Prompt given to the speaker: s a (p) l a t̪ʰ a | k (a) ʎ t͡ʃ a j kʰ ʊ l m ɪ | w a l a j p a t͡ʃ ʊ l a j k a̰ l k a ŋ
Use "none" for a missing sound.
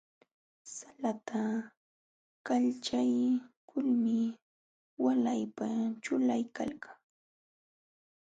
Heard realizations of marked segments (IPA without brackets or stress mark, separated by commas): none, a